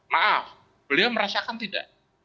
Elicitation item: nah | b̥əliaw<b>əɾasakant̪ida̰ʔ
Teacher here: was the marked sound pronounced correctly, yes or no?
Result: no